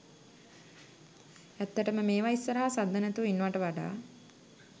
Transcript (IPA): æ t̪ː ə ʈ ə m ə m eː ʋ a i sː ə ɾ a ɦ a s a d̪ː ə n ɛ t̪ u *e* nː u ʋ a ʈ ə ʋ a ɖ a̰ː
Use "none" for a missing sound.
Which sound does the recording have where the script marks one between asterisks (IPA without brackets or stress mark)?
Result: i